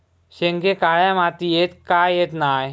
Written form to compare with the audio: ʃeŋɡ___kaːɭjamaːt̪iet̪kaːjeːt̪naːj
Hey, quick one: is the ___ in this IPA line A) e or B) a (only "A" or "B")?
A